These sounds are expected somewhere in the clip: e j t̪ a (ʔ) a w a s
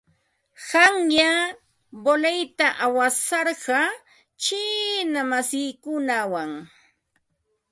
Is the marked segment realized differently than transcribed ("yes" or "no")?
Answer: no